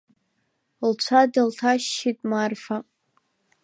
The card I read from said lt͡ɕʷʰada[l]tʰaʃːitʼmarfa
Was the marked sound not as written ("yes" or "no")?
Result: no